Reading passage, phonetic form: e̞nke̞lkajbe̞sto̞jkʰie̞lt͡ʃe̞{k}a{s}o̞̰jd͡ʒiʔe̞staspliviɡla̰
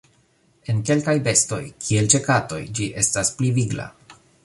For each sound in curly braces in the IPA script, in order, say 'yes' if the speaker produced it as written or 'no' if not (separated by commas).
yes, no